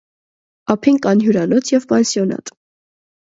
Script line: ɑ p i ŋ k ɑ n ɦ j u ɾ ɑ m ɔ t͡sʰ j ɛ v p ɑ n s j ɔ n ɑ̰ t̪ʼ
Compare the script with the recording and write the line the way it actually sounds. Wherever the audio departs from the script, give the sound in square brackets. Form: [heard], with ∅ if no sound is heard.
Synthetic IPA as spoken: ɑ [pʰ] i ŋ k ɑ n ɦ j u ɾ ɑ [n] ɔ t͡sʰ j ɛ v p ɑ n s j ɔ n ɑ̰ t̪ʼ